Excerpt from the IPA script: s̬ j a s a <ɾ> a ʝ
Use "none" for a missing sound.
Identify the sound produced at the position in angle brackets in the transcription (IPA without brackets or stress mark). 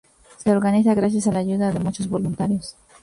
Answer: l